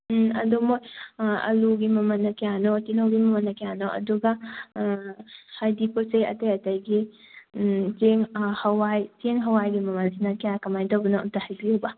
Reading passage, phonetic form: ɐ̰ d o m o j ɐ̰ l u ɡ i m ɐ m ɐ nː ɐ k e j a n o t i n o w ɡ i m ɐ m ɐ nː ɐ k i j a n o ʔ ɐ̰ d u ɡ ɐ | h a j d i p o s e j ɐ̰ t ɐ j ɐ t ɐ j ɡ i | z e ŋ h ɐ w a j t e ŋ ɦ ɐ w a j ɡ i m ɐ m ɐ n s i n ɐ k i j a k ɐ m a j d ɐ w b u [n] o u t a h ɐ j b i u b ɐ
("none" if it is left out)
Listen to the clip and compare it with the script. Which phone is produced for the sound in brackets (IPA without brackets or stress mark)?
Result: n